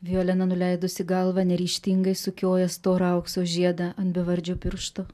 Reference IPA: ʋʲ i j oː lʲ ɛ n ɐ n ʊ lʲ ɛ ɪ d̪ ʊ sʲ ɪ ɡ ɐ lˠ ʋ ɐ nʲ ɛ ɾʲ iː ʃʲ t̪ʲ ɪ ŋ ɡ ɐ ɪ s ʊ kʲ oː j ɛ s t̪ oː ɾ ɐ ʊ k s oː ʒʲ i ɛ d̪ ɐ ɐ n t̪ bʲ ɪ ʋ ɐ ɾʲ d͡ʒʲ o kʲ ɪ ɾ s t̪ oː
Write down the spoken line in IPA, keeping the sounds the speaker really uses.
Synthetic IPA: ʋʲ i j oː lʲ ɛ n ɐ n ʊ lʲ ɛ ɪ d̪ ʊ sʲ ɪ ɡ ɐ lˠ ʋ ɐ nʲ ɛ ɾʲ iː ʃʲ t̪ʲ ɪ ŋ ɡ ɐ ɪ s ʊ kʲ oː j ɛ s t̪ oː ɾ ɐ ʊ k s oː ʒʲ i ɛ d̪ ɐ ɐ n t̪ bʲ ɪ ʋ ɐ ɾʲ d͡ʒʲ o pʲ ɪ ɾ ʃ t̪ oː

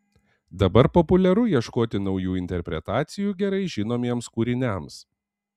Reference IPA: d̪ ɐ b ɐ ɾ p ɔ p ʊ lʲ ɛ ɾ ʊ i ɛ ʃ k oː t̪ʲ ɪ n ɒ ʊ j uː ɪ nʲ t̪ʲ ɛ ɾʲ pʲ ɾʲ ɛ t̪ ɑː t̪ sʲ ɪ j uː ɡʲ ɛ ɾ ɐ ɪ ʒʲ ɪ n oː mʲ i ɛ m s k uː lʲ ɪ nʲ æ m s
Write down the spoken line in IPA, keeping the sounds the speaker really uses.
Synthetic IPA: d̪ ɐ b ɐ ɾ p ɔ p ʊ lʲ ɛ ɾ ʊ i ɛ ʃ k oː t̪ʲ ɪ n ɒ ʊ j uː ɪ nʲ t̪ʲ ɛ ɾʲ pʲ ɾʲ ɛ t̪ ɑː t̪ sʲ ɪ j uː ɡʲ ɛ ɾ ɐ ɪ ʒʲ ɪ n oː mʲ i ɛ m s k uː ɾʲ ɪ nʲ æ m s

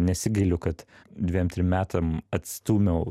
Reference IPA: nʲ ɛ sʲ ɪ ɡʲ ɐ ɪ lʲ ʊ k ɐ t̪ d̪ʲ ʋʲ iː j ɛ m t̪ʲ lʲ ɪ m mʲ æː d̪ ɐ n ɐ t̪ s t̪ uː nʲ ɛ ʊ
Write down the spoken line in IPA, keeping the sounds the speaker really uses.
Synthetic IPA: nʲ ɛ sʲ ɪ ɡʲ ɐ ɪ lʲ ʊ k ɐ t̪ d̪ʲ ʋʲ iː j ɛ m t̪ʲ ɾʲ ɪ m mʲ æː t̪ ɐ m ɐ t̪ s t̪ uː mʲ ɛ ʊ

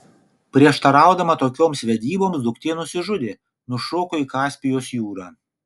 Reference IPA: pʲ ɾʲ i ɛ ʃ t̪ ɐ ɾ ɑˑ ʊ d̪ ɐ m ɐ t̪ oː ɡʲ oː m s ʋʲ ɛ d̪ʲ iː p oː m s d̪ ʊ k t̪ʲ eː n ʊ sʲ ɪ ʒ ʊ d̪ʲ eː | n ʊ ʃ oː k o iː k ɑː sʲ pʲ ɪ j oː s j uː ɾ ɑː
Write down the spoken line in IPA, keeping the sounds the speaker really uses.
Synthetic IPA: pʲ ɾʲ i ɛ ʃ t̪ ɐ ɾ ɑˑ ʊ d̪ ɐ m ɐ t̪ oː kʲ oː m s ʋʲ ɛ d̪ʲ iː b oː m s d̪ ʊ k t̪ʲ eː n ʊ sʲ ɪ ʒ ʊ d̪ʲ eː | n ʊ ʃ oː k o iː k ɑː sʲ pʲ ɪ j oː s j uː ɾ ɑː

